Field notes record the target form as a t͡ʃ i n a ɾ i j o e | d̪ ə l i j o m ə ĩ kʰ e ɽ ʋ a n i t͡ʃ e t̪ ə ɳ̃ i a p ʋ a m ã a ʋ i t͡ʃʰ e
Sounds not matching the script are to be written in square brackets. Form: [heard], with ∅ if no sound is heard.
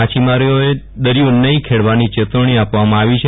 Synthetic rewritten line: a t͡ʃ i [m] a ɾ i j o e | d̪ ə [ɾ] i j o [n] ə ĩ kʰ e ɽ ʋ a n i t͡ʃ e t̪ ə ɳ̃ i a p ʋ a m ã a ʋ i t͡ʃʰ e